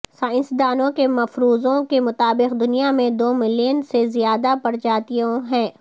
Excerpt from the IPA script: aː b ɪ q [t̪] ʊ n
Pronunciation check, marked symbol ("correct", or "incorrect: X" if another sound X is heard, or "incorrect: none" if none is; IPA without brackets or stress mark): incorrect: d̪